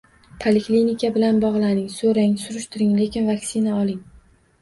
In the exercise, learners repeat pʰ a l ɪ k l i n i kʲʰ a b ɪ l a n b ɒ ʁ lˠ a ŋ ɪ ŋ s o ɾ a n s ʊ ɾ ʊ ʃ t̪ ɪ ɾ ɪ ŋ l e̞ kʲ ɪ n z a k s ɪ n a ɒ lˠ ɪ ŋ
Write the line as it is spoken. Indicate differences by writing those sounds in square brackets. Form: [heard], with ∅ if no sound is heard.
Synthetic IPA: pʰ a l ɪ k l i n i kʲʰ a b ɪ l a n b ɒ ʁ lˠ a [n] ɪ ŋ s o ɾ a [ŋ] s ʊ ɾ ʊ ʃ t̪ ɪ ɾ ɪ ŋ l e̞ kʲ ɪ n [v] a k s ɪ n a ɒ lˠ ɪ ŋ